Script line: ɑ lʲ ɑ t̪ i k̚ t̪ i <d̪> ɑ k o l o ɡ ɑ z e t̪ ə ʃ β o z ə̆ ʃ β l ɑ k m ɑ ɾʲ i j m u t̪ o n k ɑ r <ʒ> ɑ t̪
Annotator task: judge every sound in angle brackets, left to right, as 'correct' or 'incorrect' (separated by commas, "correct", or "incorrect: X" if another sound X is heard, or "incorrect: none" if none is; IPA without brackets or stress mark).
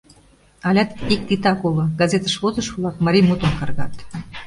incorrect: t̪, incorrect: ɣ